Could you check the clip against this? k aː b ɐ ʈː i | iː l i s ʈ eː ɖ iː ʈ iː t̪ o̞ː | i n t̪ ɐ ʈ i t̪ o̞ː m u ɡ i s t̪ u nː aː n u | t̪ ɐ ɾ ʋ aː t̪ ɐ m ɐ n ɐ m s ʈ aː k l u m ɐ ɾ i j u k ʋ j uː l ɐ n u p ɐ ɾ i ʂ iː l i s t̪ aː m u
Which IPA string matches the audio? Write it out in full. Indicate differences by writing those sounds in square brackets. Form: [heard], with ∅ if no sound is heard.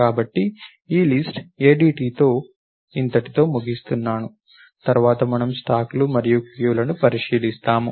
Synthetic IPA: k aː b ɐ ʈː i | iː l i s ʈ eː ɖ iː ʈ iː t̪ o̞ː | i n t̪ ɐ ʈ i t̪ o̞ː m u ɡ i s t̪ u nː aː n u | t̪ ɐ ɾ ʋ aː t̪ ɐ m ɐ n ɐ m s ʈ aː k l u m ɐ ɾ i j u k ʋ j uː l ɐ n u p ɐ ɾ i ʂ iː l i s t̪ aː m u